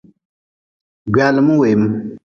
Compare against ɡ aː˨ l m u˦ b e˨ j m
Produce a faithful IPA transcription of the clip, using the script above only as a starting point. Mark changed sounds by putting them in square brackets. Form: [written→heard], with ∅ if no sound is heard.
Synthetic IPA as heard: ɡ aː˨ l m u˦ [b→w] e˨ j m